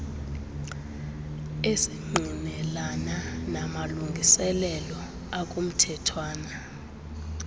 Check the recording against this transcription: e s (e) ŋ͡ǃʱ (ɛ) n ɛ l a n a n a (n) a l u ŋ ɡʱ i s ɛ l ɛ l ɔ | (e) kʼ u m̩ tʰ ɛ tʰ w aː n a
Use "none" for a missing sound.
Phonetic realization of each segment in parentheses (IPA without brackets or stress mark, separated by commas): i, i, m, a